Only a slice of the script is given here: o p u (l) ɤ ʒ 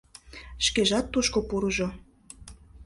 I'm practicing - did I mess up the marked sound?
yes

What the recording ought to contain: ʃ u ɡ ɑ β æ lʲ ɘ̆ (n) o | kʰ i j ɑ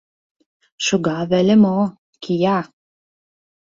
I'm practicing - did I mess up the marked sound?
yes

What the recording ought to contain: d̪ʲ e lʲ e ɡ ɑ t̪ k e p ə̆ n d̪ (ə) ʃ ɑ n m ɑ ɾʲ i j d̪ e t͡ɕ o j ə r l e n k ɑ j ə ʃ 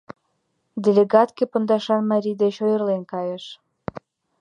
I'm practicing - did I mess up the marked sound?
yes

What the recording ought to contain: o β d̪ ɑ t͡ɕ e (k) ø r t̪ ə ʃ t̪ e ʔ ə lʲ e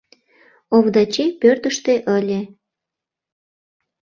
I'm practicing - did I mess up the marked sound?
yes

